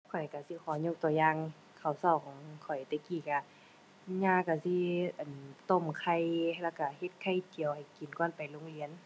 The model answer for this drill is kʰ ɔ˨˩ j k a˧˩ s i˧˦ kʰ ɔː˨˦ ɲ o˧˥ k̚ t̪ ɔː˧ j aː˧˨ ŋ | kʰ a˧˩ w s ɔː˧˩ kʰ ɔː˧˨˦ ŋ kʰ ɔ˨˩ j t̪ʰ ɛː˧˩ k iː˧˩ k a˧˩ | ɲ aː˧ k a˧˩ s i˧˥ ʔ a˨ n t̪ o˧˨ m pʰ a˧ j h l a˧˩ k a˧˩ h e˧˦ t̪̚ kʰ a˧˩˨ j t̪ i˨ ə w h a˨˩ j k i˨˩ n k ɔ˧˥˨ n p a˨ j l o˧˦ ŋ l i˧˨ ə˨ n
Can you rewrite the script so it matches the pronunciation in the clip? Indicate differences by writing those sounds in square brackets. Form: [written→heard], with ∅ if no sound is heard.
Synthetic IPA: kʰ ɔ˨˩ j k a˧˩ s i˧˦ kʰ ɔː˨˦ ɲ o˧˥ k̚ t̪ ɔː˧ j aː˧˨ ŋ | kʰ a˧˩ w s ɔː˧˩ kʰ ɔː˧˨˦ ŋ kʰ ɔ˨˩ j [t̪ʰ→t̪] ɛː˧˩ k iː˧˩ k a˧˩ | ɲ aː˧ k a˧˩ s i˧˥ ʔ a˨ n t̪ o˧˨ m [pʰ→kʰ] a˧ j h l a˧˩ k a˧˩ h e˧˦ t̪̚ kʰ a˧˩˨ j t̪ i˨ ə w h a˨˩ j k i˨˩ n k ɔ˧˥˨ n p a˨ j l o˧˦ ŋ l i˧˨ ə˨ n